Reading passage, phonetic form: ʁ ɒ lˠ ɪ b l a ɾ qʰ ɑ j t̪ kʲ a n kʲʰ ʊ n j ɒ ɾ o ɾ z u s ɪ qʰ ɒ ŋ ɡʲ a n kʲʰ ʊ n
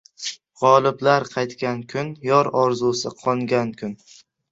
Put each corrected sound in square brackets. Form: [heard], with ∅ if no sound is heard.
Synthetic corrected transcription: ʁ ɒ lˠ ɪ b l a ɾ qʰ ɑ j t̪ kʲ a n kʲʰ ʊ n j ɒ ɾ [ɒ] ɾ z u s ɪ qʰ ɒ ŋ ɡʲ a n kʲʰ ʊ n